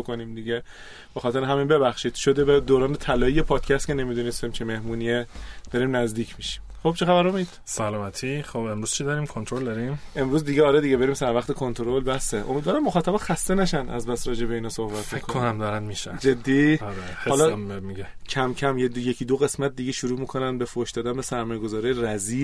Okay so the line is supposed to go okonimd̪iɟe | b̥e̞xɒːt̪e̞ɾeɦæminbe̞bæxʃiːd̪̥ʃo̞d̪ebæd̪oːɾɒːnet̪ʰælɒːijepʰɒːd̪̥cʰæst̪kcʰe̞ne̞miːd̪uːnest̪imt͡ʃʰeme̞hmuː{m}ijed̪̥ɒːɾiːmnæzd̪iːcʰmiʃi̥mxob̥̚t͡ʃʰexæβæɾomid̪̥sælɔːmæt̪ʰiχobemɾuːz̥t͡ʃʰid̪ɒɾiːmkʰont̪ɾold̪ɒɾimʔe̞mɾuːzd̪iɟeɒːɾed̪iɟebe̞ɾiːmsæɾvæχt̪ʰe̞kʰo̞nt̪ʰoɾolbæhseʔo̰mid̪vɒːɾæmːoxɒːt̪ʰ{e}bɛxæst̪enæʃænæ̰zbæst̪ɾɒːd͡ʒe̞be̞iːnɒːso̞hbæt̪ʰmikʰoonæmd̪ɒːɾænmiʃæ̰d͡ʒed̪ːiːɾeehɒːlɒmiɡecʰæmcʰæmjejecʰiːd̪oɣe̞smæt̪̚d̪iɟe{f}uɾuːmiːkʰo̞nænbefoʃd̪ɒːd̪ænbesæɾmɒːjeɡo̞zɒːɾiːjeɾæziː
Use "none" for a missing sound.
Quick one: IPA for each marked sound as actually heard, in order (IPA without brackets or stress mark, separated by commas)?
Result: n, æ, ʃ